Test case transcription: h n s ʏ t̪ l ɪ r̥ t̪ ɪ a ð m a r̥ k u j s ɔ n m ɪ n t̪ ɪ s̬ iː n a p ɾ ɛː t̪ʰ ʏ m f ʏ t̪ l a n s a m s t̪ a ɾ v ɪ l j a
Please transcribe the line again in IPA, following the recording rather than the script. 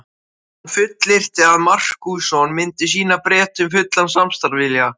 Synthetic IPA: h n f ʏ t̪ l ɪ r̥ t̪ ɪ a ð m a r̥ k u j s ɔ n m ɪ n t̪ ɪ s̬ iː n a p ɾ ɛː t̪ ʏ m f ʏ t̪ l a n s a m s t̪ a ɾ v ɪ l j a